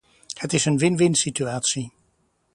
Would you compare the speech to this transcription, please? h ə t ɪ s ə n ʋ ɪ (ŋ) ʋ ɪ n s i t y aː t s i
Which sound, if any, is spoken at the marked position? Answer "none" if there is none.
n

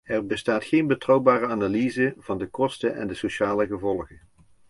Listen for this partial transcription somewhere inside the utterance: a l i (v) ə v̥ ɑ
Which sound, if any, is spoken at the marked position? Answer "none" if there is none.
z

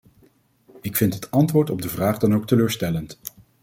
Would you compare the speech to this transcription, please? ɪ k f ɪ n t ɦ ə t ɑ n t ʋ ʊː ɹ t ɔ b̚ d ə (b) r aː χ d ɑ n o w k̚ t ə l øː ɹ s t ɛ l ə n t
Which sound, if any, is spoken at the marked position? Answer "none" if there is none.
v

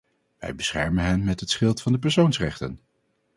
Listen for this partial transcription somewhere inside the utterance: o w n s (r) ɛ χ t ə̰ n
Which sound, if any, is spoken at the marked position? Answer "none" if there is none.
r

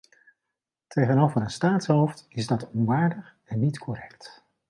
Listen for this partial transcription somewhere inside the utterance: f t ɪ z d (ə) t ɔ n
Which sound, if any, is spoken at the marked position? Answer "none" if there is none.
ɑ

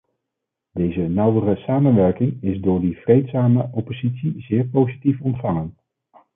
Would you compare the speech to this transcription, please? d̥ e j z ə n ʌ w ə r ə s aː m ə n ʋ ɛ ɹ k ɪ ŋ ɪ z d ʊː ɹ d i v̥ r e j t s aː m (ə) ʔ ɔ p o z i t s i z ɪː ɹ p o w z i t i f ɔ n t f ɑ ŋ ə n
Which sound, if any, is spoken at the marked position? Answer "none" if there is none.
ə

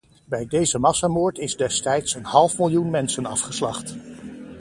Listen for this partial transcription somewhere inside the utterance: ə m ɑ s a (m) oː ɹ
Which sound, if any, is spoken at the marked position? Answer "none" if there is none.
m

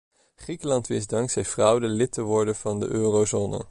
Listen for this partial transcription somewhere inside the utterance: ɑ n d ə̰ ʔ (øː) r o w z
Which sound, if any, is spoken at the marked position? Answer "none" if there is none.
øː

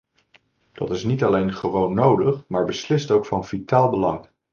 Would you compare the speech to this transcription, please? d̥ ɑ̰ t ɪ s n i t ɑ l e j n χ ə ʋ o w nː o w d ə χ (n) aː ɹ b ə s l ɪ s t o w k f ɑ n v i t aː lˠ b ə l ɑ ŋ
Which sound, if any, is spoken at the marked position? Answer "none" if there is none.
m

